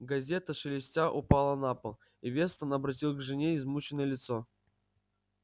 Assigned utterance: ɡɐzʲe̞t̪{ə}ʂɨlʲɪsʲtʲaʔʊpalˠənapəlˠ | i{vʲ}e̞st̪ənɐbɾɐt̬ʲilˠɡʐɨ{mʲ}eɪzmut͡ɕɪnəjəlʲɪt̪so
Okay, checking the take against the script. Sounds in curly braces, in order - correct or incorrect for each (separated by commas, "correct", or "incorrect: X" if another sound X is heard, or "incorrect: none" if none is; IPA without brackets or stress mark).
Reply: correct, correct, incorrect: nʲ